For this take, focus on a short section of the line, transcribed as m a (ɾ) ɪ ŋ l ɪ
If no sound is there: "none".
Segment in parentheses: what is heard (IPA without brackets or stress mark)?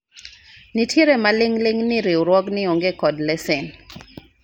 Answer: l